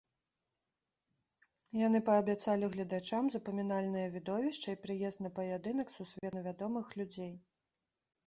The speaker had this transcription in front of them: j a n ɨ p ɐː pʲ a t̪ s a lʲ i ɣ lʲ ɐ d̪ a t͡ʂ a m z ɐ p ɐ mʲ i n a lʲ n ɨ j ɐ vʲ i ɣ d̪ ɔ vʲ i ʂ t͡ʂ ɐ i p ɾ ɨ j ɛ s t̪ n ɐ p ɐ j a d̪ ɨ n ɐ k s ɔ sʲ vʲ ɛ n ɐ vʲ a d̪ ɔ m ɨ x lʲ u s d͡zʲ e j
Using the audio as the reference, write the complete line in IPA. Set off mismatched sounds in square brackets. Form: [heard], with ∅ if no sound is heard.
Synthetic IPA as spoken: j a n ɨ p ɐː [bʲ] a t̪ s a lʲ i ɣ lʲ ɐ d̪ a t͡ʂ a m z ɐ p ɐ mʲ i n a lʲ n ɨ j ɐ vʲ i [∅] d̪ ɔ vʲ i ʂ t͡ʂ ɐ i p ɾ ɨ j ɛ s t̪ n ɐ p ɐ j a d̪ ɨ n ɐ k s [u] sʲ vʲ ɛ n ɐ vʲ a d̪ ɔ m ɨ x lʲ u [∅] d͡zʲ e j